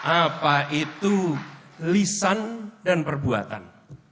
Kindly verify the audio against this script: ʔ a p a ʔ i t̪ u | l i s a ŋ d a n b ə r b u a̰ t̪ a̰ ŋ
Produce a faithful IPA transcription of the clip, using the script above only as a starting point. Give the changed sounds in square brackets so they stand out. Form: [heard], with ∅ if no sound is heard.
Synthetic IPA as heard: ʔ a p a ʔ i t̪ u | l i s a [n] d a n [p] ə r b u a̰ t̪ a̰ [n]